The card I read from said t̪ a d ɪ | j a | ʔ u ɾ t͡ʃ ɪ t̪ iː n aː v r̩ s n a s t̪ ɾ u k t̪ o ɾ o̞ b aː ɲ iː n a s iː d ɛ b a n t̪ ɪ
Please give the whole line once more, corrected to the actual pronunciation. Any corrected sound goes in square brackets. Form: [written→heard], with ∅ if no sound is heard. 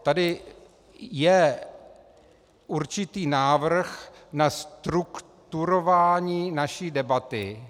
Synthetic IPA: t̪ a d ɪ | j [a→ɛ] | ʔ u ɾ t͡ʃ ɪ t̪ iː n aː v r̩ [s→x] n a s t̪ ɾ u k t̪ [o→u] ɾ o̞ [b→v] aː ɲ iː n a [s→ʃ] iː d ɛ b a [n→∅] t̪ ɪ